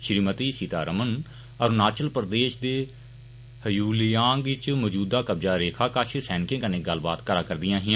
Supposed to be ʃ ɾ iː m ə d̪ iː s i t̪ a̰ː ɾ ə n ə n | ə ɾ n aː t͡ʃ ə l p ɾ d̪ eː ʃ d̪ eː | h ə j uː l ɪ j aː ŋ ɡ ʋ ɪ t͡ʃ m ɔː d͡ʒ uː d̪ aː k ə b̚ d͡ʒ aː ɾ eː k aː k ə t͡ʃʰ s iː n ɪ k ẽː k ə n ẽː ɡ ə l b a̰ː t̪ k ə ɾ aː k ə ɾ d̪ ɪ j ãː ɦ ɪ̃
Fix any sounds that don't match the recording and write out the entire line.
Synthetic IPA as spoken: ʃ ɾ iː m ə t̪ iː s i t̪ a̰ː ɾ ə m ə n | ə ɾ n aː t͡ʃ ə l p ɾ d̪ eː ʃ d̪ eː | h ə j uː l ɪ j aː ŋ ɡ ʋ ɪ t͡ʃ m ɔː d͡ʒ uː d̪ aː k ə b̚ d͡ʒ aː ɾ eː kʰ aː k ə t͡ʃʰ s ɛː n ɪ k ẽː k ə n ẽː ɡ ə l b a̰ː t̪ k ə ɾ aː k ə ɾ d̪ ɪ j ãː ɦ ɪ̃